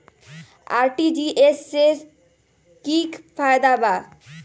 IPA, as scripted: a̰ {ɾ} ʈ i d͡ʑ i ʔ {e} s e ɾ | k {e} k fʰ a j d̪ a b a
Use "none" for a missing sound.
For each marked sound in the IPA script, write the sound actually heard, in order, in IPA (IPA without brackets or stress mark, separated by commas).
ɾ, e, i